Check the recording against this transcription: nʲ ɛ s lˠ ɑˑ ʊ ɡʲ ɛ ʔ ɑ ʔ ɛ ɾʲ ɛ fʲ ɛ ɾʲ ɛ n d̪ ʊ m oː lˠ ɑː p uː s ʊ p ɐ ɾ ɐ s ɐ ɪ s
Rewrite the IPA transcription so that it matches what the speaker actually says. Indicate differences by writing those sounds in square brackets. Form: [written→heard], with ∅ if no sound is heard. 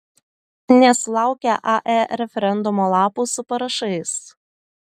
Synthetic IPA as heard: nʲ ɛ s lˠ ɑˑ ʊ [ɡʲ→kʲ] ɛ ʔ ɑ ʔ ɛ ɾʲ ɛ fʲ ɛ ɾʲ ɛ n d̪ ʊ m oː lˠ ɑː p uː s ʊ p ɐ ɾ ɐ [s→ʃ] ɐ ɪ s